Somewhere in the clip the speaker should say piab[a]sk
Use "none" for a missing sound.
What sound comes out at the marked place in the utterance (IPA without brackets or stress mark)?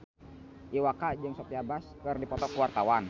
a